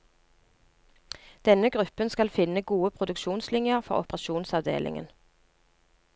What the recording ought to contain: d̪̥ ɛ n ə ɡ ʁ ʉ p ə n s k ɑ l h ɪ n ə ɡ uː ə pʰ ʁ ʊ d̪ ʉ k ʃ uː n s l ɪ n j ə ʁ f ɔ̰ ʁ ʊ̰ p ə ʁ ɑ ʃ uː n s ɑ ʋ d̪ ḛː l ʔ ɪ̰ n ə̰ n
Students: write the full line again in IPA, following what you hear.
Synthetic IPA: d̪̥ ɛ n ə ɡ ʁ ʉ p ə n s k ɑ l f ɪ n ə ɡ uː ə pʰ ʁ ʊ d̪ ʉ k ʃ uː n s l ɪ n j ə ʁ f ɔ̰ ʁ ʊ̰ p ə ʁ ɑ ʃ uː n s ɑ ʋ d̪ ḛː l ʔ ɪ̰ ŋ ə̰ n